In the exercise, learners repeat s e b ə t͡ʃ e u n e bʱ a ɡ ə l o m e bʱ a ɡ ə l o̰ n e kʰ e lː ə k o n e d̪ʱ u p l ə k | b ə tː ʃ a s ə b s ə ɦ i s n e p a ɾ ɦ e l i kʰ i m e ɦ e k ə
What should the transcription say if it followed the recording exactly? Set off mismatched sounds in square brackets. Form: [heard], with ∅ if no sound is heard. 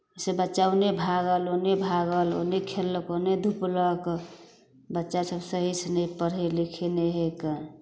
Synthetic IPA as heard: s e b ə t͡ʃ [a] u n e bʱ a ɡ ə l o [n] e bʱ a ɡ ə l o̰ n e kʰ e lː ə k o n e d̪ʱ u p l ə k | b ə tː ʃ a s ə b s ə ɦ i s n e p [ə] ɾ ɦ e l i kʰ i [n] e ɦ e k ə